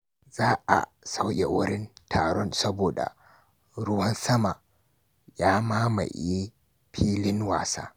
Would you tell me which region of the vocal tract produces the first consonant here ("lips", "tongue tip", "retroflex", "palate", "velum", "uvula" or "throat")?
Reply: tongue tip